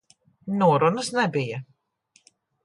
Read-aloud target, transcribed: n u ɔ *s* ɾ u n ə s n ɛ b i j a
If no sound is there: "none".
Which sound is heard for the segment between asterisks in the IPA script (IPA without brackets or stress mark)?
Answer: none